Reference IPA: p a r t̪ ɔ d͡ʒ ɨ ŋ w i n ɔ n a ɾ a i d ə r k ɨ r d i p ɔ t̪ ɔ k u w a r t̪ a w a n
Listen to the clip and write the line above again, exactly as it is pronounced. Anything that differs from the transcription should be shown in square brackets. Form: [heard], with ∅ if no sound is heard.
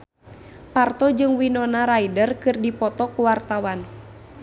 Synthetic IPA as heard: p a r t̪ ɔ d͡ʒ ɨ ŋ w i n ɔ n a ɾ a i d ə r k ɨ r d i p ɔ t̪ ɔ k u w a r t̪ a w a n